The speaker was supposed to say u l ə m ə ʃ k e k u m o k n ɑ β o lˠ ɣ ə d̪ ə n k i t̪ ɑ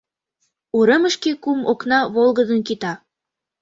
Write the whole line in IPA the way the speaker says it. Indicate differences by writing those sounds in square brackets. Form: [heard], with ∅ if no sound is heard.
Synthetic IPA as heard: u [ɾ] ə m ə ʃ k e k u m o k n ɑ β o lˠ ɣ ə d̪ ə n k i t̪ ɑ